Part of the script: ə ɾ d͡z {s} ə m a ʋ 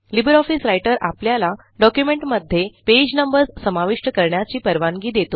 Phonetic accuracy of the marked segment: correct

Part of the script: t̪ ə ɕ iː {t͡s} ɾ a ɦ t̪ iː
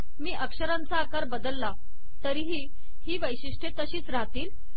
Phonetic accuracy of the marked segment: correct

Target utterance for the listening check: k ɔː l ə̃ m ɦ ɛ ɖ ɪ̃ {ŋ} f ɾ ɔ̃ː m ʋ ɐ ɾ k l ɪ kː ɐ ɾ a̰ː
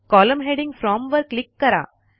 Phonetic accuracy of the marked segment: correct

